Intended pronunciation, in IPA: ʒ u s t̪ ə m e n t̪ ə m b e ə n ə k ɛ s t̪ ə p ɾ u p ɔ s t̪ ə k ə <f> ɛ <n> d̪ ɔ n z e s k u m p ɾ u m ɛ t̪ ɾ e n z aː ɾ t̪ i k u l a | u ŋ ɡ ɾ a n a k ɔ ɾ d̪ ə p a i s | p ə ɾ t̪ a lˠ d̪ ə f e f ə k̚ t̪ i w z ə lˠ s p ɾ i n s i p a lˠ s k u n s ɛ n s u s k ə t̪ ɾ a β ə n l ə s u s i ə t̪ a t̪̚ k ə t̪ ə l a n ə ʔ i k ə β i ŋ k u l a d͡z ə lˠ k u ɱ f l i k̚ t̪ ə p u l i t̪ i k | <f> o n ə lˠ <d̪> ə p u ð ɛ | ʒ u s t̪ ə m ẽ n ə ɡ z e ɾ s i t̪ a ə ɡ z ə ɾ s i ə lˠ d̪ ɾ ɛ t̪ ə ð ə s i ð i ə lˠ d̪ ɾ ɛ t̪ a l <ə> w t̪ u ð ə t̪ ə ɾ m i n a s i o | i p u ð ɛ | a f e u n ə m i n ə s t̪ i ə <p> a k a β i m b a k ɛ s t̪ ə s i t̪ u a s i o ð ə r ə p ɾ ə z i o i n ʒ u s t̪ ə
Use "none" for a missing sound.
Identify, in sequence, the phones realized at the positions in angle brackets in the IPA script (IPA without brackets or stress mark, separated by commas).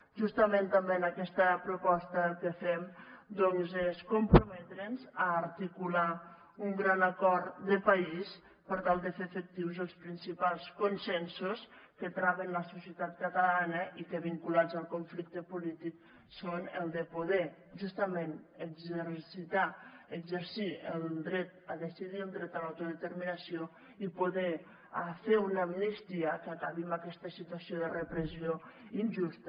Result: f, m, s, d̪, a, k